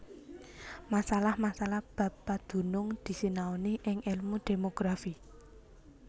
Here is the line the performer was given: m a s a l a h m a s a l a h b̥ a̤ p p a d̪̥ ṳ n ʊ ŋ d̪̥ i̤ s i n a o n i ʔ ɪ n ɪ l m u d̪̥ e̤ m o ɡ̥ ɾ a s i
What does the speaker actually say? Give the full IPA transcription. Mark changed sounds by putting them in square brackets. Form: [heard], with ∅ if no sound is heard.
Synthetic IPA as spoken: m a s a l a h m a s a l a h b̥ a̤ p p a d̪̥ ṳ n ʊ ŋ d̪̥ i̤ s i n a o n i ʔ ɪ [ŋ] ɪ l m u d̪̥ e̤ m o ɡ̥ ɾ a [f] i

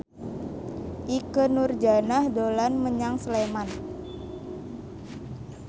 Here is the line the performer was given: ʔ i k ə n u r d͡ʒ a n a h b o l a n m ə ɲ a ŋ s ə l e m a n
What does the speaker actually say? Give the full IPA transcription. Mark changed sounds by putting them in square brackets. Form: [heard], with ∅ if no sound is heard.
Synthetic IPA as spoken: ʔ i k ə n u r d͡ʒ a n a h [d] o l a n m ə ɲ a ŋ s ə l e m a n

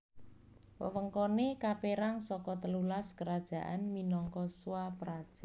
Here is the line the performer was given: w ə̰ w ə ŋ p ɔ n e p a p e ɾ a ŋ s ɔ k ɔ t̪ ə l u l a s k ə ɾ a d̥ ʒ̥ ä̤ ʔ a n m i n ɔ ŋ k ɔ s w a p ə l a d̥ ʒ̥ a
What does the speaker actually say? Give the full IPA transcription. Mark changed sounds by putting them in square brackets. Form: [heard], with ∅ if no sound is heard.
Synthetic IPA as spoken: w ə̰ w ə ŋ [k] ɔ n e [k] a p e ɾ a ŋ s ɔ k ɔ t̪ ə l u l a s k ə ɾ a d̥ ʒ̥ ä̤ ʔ a n m i n ɔ ŋ k ɔ s w a p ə [ɾ] a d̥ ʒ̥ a

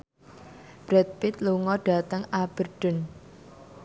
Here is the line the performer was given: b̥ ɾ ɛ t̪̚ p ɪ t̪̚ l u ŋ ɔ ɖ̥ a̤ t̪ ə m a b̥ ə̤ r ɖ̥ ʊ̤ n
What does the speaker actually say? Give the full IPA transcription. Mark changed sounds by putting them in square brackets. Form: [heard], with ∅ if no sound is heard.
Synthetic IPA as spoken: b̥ ɾ ɛ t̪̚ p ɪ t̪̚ l u ŋ ɔ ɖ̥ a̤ t̪ ə [ŋ] a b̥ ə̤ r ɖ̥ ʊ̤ n

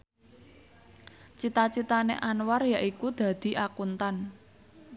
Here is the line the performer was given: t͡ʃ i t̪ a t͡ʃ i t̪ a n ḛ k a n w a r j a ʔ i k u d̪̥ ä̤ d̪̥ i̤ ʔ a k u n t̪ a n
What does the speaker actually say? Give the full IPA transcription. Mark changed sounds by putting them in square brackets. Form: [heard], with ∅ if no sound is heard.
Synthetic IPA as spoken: t͡ʃ i t̪ a t͡ʃ i t̪ a n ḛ [ʔ] a n w a r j a ʔ i k u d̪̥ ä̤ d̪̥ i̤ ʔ a k u n t̪ a n

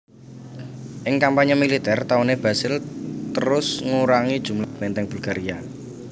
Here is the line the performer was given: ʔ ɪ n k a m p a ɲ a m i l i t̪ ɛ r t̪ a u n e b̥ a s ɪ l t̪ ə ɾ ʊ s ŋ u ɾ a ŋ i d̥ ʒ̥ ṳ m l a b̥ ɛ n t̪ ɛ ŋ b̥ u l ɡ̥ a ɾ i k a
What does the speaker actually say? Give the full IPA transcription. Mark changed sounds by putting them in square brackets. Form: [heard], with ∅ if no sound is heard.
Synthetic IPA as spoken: ʔ ɪ [ŋ] k a m p a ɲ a m i l i t̪ ɛ r t̪ a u n e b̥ a s ɪ l t̪ ə ɾ ʊ s ŋ u ɾ a ŋ i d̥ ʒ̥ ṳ m l a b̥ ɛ n t̪ ɛ ŋ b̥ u l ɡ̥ a ɾ i [∅] a

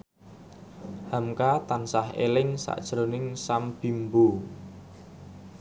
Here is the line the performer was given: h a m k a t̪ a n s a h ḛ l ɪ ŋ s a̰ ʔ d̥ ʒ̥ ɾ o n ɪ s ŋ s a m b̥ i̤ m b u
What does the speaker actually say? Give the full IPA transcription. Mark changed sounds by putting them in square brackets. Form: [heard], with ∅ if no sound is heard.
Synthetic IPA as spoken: h a m k a t̪ a n s a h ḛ l ɪ ŋ s a̰ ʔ d̥ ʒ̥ ɾ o n ɪ [∅] ŋ s a m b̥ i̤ m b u

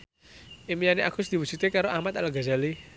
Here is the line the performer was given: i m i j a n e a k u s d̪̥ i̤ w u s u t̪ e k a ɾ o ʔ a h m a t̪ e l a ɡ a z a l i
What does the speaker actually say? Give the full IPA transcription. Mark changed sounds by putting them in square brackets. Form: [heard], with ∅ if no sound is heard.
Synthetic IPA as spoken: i m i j a n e a k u s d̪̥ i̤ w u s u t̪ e k a ɾ o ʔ a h m a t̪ [a] l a ɡ a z a l i

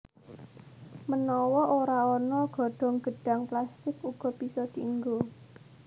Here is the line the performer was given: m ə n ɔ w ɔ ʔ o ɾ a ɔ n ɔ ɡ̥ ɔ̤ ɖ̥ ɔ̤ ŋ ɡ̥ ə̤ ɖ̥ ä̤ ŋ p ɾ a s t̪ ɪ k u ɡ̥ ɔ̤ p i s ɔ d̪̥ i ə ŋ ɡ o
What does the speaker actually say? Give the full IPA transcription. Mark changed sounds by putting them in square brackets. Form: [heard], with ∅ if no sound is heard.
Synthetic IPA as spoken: m ə n ɔ w ɔ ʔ o ɾ a ɔ n ɔ ɡ̥ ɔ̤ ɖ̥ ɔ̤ ŋ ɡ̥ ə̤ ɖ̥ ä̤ ŋ p [l] a s t̪ ɪ k u ɡ̥ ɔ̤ p i s ɔ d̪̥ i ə ŋ ɡ o

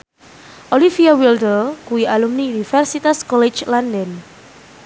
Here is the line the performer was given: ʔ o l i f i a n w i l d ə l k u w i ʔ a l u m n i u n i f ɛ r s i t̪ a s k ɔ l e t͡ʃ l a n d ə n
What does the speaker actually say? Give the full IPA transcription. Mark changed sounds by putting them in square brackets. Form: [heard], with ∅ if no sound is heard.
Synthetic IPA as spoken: ʔ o l i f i a [∅] w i l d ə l k u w i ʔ a l u m n i u n i f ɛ r s i t̪ a s k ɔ l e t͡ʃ l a n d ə n

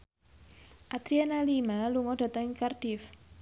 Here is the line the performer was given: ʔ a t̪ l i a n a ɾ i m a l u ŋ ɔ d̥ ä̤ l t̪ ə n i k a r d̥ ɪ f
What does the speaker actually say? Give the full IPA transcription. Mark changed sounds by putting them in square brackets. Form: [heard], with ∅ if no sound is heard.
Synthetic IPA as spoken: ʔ a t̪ [ɾ] i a n a [l] i m a l u ŋ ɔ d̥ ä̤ [∅] t̪ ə [ŋ] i k a r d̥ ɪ f

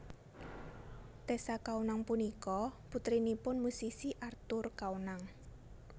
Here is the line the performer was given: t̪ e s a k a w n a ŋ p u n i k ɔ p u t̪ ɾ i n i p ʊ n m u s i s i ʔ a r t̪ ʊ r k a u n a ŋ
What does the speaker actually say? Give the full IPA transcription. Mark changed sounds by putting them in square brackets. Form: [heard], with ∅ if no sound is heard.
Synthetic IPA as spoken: t̪ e s a k a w n a ŋ p u n i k ɔ p u t̪ ɾ i n i p ʊ n m u s i s i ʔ a r t̪ ʊ r k a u n a ŋ

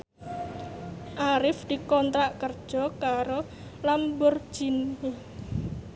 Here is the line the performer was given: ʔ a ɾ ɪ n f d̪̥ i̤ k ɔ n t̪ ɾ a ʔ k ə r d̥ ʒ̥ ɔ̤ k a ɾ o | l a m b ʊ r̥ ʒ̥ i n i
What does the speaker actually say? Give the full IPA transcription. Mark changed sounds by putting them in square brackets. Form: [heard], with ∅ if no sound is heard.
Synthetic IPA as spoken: ʔ a ɾ ɪ [∅] f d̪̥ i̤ k ɔ n t̪ ɾ a ʔ k ə r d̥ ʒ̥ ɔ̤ k a ɾ o | l a m b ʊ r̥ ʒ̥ i n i

